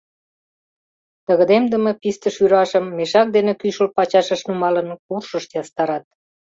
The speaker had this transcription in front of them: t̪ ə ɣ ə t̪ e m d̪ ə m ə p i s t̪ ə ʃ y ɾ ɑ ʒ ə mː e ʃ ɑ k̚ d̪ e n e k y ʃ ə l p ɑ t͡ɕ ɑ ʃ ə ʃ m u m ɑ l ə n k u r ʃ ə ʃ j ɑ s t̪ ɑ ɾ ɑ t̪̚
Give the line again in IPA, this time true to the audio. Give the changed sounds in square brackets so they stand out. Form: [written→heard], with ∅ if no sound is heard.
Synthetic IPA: t̪ ə ɣ ə [t̪→d̪] e m d̪ ə m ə p i s t̪ ə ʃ y ɾ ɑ [ʒ→ʃ] ə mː e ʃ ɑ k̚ d̪ e n e k y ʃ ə l p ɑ t͡ɕ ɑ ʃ ə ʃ [m→n] u m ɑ l ə n k u r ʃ ə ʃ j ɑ s t̪ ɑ ɾ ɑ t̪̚